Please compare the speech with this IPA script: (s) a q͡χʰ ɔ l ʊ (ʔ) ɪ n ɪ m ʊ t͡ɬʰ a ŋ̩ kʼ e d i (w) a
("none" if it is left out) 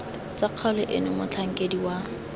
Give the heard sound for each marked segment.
t͡s, ʔ, w

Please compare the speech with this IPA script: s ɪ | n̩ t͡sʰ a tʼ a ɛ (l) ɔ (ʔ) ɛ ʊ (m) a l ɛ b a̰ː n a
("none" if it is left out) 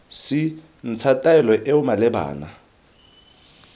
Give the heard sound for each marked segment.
l, ʔ, m

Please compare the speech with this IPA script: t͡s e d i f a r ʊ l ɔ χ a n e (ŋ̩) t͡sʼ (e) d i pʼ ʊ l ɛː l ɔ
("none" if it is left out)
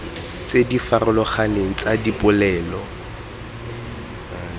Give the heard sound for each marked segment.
ŋ̩, a

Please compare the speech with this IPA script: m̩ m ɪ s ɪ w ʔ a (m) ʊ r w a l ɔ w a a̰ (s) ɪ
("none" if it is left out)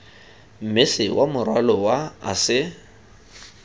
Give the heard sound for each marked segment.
m, s

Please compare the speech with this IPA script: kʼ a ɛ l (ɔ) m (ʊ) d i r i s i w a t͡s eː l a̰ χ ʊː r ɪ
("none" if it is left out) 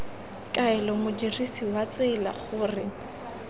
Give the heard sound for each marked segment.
ɔ, ʊ

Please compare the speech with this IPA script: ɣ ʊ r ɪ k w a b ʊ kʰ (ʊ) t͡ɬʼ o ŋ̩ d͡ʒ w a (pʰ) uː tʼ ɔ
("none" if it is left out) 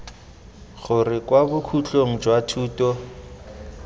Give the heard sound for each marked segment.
u, tʰ

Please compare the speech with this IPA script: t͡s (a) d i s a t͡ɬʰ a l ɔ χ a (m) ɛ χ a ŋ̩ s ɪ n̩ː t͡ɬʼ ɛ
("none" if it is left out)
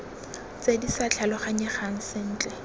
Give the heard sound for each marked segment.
e, ɲ

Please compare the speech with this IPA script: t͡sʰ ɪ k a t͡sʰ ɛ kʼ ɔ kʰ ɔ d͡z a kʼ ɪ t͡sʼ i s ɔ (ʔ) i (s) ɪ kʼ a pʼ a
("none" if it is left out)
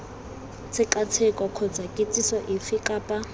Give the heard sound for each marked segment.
ʔ, f

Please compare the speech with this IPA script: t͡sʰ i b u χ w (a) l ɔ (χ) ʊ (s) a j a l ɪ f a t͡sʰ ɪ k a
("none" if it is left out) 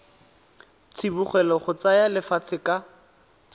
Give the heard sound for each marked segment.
ɛ, χ, t͡s

